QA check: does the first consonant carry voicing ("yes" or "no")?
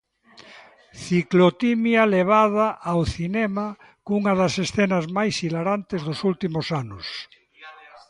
no